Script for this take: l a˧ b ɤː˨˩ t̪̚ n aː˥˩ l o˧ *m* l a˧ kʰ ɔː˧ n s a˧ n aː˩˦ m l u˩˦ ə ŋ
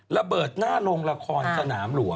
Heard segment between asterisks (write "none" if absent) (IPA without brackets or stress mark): ŋ